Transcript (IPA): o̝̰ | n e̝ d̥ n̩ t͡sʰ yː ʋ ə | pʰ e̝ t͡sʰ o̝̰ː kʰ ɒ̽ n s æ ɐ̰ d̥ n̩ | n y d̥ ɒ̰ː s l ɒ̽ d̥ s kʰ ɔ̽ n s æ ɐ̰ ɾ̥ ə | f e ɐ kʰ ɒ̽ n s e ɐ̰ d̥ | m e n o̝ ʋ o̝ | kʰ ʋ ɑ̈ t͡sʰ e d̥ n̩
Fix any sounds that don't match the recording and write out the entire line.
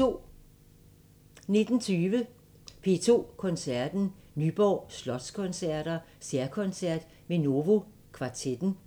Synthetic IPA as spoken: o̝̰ | n e̝ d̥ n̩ t͡sʰ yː ʋ ə | pʰ e̝ t͡sʰ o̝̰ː kʰ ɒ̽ n s æ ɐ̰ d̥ n̩ | n y b̥ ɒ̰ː s l ɒ̽ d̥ s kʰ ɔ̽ n s æ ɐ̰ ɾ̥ ɐ | s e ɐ kʰ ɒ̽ n s æ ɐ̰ d̥ | m e n o̝ ʋ o̝ | kʰ ʋ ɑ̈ t͡sʰ e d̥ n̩